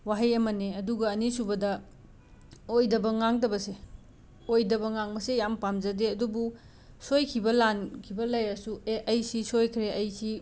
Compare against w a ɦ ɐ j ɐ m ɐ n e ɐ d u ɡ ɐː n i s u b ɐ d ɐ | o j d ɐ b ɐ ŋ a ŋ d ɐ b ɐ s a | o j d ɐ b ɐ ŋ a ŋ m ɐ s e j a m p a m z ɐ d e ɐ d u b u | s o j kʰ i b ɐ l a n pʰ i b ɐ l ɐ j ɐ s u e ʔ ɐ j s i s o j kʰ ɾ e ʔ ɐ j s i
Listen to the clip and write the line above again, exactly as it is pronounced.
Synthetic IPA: w a ɦ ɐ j ɐ m ɐ n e ɐ d u ɡ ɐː n i s u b ɐ d ɐ | o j d ɐ b ɐ ŋ a ŋ d ɐ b ɐ s e | o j d ɐ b ɐ ŋ a ŋ m ɐ s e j a m p a m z ɐ d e ɐ d u b u | s o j kʰ i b ɐ l a n kʰ i b ɐ l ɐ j ɐ s u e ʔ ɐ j s i s o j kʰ ɾ e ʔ ɐ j s i